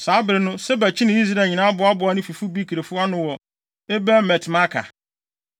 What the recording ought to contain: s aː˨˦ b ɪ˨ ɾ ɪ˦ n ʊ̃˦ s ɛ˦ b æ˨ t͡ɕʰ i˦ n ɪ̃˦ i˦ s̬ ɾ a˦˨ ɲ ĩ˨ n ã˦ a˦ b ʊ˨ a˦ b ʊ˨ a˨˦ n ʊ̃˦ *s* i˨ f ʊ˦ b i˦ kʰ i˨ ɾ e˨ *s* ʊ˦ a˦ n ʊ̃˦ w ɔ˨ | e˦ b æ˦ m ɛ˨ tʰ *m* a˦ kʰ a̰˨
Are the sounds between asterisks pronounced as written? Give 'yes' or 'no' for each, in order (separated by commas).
no, no, yes